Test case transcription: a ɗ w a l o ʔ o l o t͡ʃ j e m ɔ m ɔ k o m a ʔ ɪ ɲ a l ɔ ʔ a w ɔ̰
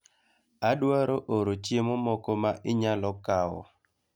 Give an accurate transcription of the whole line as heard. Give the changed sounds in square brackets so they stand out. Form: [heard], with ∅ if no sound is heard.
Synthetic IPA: a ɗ w a [ɾ] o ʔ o [ɾ] o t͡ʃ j e m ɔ m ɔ k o m a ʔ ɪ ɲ a l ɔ [k] a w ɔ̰